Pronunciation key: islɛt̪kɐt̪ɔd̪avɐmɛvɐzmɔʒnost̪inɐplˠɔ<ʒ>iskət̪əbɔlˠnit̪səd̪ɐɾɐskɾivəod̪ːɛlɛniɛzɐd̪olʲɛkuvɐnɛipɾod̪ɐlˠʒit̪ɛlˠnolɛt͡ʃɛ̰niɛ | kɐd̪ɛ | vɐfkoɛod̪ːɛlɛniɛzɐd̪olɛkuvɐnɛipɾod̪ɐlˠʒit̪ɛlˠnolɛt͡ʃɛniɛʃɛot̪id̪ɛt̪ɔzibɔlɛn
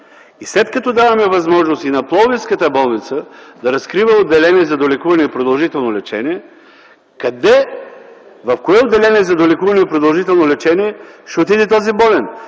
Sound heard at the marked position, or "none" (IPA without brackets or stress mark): v